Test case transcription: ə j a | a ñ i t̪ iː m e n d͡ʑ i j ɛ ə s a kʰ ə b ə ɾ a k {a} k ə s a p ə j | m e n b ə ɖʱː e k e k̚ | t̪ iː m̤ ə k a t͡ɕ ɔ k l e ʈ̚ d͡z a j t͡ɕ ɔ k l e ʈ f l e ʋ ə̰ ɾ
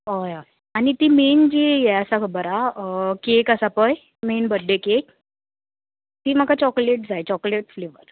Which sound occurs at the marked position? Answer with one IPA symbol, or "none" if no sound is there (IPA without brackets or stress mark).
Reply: e